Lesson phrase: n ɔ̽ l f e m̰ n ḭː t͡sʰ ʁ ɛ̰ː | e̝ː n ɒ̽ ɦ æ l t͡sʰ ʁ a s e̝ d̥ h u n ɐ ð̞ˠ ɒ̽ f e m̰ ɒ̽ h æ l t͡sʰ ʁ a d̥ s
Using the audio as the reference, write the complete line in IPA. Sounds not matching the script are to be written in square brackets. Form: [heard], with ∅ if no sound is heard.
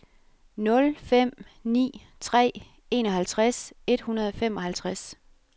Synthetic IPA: n ɔ̽ l f e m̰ n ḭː t͡sʰ ʁ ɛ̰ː | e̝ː n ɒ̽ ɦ æ l t͡sʰ ʁ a s e̝ d̥ h u n ɐ ð̞ˠ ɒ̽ f e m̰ ɒ̽ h æ l t͡sʰ ʁ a [∅] s